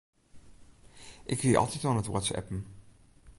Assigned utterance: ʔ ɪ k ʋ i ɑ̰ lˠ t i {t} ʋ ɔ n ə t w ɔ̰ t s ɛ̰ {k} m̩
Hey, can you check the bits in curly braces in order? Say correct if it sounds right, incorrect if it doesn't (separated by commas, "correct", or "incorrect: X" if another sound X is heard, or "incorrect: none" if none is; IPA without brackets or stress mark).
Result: correct, incorrect: p